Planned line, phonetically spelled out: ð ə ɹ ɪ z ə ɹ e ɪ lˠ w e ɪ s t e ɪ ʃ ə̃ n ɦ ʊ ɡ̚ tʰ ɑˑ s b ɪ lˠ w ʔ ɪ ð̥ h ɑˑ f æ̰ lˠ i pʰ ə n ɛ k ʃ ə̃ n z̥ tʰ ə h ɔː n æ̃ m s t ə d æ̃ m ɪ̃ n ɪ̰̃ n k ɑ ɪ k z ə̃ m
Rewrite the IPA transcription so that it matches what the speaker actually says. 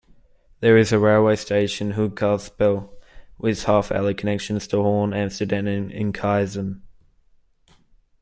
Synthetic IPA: ð ə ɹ ɪ z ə ɹ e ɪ lˠ w e ɪ s t e ɪ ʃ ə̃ n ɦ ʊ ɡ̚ kʰ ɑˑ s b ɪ lˠ w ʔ ɪ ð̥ h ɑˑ f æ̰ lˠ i kʰ ə n ɛ k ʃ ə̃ n z̥ tʰ ə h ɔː n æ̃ m s t ə d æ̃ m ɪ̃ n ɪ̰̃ n kʰ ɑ ɪ z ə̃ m